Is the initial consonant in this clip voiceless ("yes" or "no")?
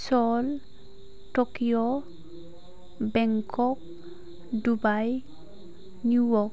yes